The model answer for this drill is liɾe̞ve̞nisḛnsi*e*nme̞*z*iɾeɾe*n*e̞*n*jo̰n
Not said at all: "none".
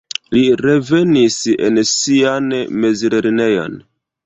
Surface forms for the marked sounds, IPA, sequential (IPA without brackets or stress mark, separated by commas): a, z, n, none